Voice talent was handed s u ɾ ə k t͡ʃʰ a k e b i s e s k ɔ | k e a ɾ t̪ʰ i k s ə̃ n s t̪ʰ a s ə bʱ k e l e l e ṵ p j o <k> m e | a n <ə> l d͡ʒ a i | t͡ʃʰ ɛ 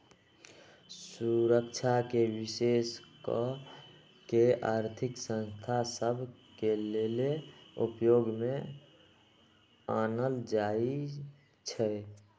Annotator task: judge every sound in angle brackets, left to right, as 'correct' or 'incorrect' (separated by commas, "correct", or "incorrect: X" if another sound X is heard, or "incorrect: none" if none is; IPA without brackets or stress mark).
incorrect: ɡ, correct